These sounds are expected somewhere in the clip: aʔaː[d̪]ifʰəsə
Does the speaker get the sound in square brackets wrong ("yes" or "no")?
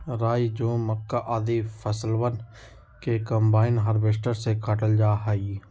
no